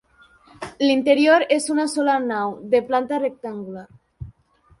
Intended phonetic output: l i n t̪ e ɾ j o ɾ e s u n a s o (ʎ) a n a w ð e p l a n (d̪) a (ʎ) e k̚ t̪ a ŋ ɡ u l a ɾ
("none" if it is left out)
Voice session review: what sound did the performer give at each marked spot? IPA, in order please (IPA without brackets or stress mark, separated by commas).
l, t̪, r